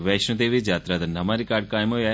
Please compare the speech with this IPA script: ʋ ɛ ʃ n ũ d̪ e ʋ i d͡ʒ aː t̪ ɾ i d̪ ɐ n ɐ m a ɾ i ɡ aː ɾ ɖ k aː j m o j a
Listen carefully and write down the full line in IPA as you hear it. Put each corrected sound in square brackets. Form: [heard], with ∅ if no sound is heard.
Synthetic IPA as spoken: ʋ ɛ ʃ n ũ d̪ e ʋ i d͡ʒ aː t̪ ɾ [a] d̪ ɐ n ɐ m a ɾ i [k] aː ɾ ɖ k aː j m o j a